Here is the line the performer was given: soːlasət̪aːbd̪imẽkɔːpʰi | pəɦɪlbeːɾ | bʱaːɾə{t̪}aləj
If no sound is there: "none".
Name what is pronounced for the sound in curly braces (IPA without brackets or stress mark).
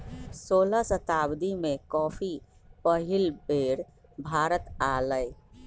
t̪